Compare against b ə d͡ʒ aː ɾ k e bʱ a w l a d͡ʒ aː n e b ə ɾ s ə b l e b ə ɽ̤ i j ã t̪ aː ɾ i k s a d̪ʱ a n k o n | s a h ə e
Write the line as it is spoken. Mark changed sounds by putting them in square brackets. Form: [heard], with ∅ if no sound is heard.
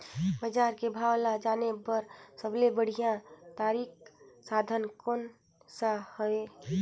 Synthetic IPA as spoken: b ə d͡ʒ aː ɾ k e bʱ a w l a d͡ʒ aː n e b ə ɾ s ə b l e b ə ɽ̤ i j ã t̪ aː ɾ i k s a d̪ʱ [ə] n k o n | s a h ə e